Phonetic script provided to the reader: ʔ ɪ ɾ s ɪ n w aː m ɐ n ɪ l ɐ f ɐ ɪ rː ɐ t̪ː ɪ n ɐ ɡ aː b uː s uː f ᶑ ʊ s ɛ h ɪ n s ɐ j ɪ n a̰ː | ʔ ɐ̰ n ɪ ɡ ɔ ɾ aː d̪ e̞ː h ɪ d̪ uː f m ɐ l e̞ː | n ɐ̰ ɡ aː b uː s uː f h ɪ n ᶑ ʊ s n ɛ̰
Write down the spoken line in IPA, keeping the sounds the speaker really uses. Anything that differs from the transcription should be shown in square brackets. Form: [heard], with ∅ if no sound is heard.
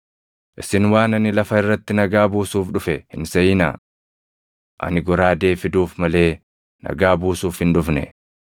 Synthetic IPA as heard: ʔ ɪ [∅] s ɪ n w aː [n] ɐ n ɪ l ɐ f ɐ ɪ rː ɐ t̪ː ɪ n ɐ ɡ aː b uː s uː f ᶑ ʊ [f] ɛ h ɪ n s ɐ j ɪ n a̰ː | ʔ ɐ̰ n ɪ ɡ ɔ ɾ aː d̪ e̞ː [f] ɪ d̪ uː f m ɐ l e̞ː | n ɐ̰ ɡ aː b uː s uː f h ɪ n ᶑ ʊ [f] n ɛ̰